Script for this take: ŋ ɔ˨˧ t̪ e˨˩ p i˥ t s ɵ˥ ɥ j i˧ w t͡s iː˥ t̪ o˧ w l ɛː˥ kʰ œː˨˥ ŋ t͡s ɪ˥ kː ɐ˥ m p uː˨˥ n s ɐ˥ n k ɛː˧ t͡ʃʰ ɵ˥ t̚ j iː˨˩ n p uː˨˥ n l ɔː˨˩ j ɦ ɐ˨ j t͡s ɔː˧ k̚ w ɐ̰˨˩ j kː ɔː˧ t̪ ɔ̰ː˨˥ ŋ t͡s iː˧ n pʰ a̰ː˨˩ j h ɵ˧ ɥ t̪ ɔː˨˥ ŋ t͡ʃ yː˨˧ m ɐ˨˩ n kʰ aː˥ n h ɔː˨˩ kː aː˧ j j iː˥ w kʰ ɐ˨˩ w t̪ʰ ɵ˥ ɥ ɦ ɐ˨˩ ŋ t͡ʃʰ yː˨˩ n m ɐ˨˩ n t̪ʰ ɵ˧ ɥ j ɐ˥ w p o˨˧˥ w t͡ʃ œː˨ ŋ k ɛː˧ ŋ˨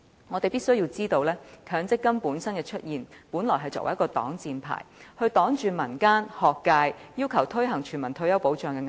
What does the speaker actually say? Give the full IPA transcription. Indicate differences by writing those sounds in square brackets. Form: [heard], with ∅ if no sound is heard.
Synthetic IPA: ŋ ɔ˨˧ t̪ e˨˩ p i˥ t s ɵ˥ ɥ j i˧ w t͡s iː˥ t̪ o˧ w l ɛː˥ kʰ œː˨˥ ŋ t͡s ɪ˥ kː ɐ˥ m p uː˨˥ n s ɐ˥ n k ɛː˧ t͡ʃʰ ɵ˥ t̚ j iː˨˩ n p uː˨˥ n l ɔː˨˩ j ɦ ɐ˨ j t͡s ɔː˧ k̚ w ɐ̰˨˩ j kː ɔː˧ t̪ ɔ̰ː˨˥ ŋ t͡s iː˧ n pʰ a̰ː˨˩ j h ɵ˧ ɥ t̪ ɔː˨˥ ŋ t͡ʃ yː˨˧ m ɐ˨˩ n [k] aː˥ n h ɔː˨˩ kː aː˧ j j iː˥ w kʰ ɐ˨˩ w t̪ʰ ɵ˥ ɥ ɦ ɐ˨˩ ŋ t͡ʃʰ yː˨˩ n m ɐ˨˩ n t̪ʰ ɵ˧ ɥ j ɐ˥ w p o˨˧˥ w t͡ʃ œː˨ ŋ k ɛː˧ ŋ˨